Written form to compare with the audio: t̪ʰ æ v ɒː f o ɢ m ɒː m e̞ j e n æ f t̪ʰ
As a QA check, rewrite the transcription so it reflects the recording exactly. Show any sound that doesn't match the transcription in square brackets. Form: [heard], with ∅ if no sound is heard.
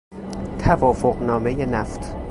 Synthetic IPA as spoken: t̪ʰ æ v ɒː f o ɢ [n] ɒː m e̞ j e n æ f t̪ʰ